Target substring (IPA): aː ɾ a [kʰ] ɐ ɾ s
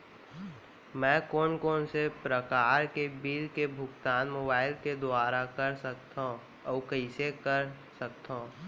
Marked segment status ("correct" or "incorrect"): incorrect